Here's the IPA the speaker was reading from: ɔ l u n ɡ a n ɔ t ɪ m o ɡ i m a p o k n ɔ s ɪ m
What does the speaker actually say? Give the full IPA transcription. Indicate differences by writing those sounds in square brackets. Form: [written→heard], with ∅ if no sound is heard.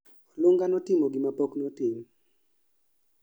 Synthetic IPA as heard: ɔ l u [n→ŋ] ɡ a n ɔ t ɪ m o ɡ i m a p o k n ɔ [s→t] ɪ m